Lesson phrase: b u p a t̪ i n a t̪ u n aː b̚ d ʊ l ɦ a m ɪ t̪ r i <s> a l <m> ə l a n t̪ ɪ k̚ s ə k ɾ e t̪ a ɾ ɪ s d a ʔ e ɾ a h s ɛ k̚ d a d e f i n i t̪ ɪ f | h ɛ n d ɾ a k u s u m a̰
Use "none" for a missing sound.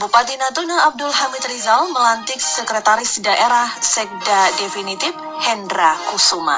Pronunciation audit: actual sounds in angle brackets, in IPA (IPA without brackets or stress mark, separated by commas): z, m